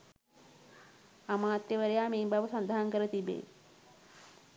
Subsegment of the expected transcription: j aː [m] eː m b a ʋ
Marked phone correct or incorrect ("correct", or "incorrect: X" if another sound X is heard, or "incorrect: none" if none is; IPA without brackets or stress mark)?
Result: correct